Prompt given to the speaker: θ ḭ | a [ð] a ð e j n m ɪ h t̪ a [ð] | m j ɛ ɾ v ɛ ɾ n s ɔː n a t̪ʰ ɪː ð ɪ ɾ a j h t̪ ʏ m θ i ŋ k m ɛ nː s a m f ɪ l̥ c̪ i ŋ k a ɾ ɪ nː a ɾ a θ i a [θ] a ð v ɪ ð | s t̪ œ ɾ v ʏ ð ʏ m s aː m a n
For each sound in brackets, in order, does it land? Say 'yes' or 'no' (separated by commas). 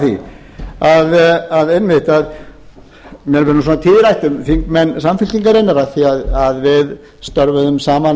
yes, yes, no